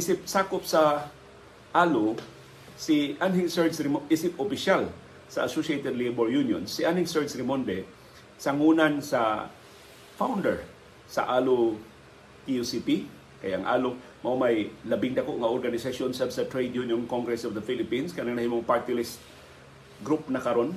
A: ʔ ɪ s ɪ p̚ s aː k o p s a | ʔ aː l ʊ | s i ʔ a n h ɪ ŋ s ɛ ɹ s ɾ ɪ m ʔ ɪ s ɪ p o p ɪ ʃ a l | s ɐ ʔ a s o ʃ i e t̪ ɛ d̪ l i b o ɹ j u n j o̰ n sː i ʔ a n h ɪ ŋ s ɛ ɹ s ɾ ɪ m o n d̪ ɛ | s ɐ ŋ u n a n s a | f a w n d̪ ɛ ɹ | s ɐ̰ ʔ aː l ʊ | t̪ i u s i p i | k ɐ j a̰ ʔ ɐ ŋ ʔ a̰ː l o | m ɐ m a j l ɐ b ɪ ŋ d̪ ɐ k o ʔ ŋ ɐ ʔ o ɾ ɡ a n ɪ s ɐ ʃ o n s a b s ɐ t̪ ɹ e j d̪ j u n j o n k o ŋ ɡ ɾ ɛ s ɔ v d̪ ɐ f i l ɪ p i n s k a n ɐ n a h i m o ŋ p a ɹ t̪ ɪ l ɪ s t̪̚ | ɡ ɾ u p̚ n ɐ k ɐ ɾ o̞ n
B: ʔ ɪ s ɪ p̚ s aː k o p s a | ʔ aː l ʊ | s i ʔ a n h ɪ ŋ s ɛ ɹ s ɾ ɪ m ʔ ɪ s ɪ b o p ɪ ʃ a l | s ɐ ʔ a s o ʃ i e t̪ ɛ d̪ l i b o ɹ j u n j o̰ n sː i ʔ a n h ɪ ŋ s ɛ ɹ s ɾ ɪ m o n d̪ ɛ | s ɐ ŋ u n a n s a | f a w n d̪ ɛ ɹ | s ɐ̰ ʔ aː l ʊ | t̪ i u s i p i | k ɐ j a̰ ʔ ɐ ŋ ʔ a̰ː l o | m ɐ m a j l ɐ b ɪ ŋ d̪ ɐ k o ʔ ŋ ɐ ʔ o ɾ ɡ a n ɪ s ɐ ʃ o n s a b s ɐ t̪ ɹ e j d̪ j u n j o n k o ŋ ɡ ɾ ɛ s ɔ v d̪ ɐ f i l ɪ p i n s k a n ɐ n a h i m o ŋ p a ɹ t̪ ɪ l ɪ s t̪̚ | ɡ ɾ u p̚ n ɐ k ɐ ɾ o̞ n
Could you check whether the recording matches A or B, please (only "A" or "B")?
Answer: A